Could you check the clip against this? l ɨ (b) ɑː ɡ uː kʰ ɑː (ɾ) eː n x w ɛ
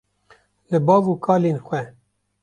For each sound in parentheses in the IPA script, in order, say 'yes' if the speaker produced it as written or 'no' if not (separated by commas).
yes, no